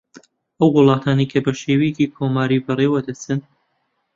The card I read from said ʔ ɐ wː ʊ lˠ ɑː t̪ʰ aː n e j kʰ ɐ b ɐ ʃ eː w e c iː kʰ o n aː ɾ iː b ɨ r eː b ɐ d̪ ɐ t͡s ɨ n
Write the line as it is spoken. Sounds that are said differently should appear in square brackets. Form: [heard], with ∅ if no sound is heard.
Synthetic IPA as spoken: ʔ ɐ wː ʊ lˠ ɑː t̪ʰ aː n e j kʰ ɐ b ɐ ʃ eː w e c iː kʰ o [m] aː ɾ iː b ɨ r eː [w] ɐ d̪ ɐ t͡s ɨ n